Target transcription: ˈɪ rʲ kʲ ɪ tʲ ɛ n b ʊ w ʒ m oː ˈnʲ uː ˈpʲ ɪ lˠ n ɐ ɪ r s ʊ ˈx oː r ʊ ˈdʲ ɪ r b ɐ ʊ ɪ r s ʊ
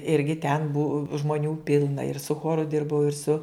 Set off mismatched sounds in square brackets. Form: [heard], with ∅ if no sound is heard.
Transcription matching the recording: ˈɪ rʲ [ɡʲ] ɪ tʲ ɛ n b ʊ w ʒ m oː ˈnʲ uː ˈpʲ ɪ lˠ n ɐ ɪ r s ʊ ˈx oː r ʊ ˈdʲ ɪ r b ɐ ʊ ɪ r s ʊ